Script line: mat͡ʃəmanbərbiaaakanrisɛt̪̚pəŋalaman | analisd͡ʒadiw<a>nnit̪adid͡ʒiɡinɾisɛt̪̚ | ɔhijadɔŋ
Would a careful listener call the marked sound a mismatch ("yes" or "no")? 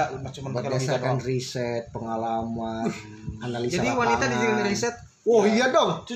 no